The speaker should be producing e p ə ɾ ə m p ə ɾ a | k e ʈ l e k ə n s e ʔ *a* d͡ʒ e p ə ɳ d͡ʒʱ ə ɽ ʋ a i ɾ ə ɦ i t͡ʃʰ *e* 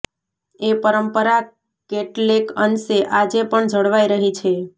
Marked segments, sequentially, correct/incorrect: correct, correct

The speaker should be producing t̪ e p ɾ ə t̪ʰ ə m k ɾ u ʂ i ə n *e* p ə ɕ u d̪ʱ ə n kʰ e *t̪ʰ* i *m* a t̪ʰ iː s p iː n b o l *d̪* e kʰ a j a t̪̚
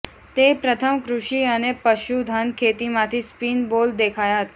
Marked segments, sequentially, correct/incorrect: correct, incorrect: t̪, correct, correct

